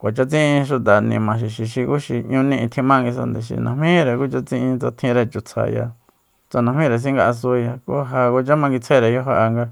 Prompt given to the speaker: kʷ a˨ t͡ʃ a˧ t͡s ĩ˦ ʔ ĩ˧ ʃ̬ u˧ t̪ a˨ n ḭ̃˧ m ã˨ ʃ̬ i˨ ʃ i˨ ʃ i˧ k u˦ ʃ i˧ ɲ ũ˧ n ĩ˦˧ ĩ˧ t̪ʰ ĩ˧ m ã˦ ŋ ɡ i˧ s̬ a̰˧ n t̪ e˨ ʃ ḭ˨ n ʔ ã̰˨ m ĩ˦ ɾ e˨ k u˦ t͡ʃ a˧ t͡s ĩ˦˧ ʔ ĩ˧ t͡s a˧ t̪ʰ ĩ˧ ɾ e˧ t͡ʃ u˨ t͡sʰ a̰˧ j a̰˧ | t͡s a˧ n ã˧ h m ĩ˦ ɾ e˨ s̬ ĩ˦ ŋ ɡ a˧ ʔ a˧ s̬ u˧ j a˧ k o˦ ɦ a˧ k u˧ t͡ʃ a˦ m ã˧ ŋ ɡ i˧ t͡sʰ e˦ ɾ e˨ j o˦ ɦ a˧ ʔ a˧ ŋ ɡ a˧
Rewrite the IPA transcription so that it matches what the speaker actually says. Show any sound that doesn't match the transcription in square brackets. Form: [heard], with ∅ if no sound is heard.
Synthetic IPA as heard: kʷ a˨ t͡ʃ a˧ t͡s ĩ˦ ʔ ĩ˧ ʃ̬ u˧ t̪ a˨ n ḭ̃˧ m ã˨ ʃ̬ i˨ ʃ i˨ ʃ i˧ k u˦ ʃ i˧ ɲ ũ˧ n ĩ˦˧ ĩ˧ t̪ʰ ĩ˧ m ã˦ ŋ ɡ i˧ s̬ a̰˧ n [d̪] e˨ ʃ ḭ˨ n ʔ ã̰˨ m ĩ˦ ɾ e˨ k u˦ t͡ʃ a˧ t͡s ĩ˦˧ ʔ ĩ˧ t͡s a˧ t̪ʰ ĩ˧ ɾ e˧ t͡ʃ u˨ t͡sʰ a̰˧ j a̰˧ | t͡s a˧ n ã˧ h m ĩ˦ ɾ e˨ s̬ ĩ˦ ŋ ɡ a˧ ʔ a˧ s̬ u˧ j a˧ k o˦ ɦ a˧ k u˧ t͡ʃ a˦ m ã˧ ŋ ɡ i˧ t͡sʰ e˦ ɾ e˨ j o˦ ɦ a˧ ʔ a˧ ŋ ɡ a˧